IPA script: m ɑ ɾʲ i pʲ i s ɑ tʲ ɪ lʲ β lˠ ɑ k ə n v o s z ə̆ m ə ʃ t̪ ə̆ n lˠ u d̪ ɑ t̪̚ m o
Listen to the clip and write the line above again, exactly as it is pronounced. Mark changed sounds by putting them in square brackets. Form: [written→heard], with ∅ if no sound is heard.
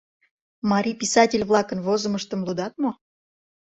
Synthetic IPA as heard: m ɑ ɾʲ i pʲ i s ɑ tʲ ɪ lʲ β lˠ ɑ k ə n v o [s→∅] z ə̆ m ə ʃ t̪ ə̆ [n→m] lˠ u d̪ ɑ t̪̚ m o